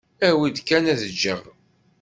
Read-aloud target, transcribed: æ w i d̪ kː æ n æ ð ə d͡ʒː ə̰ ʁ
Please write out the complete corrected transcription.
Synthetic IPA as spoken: æ w i d̪ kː æ n æ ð ə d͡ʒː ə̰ ʁ